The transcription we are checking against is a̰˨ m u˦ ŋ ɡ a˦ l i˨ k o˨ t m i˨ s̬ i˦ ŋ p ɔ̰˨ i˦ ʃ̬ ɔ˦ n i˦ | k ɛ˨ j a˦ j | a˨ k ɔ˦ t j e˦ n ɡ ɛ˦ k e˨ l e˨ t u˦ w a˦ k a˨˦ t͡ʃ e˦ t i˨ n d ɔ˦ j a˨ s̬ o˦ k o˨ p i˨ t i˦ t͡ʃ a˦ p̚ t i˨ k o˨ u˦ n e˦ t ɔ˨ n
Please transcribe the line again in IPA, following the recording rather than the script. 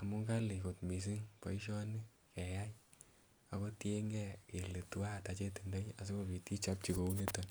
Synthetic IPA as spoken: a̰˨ m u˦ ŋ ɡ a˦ l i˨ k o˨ t m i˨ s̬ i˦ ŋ p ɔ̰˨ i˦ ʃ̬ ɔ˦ n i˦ | k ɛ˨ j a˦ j | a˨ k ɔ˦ t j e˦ ŋ ɡ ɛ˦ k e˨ l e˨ t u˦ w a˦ t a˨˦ t͡ʃ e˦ t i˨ n d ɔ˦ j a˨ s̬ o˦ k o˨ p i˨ t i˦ t͡ʃ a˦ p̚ t͡ʃ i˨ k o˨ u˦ n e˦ t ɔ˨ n